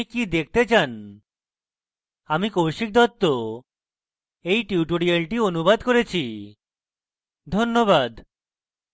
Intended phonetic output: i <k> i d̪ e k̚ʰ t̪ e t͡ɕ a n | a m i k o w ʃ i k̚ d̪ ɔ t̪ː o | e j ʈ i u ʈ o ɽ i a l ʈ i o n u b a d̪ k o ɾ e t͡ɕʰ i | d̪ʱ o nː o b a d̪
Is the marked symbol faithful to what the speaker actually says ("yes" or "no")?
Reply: yes